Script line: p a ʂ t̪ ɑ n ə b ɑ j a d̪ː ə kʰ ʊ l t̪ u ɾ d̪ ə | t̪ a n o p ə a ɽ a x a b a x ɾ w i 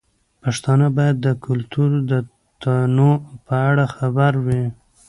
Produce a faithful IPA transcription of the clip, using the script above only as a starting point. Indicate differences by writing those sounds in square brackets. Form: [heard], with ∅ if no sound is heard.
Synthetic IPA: p a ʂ t̪ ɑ n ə b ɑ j a d̪ː ə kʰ ʊ l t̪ u ɾ d̪ ə | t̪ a n o p ə a ɽ a x a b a [∅] ɾ w i